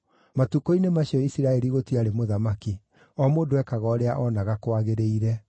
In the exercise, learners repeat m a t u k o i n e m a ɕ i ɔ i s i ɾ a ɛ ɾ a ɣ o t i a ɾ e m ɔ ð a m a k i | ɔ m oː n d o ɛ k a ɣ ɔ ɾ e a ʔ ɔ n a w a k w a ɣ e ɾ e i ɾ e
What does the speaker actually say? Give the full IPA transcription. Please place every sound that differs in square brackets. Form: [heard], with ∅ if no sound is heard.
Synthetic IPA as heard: m a t u k o i n e m a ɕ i ɔ i s i ɾ a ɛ ɾ [i] ɣ o t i a ɾ e m [o] ð a m a k i | ɔ m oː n d o ɛ k a ɣ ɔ ɾ e a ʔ ɔ n a [ɣ] a k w a ɣ e ɾ e i ɾ [ɛ]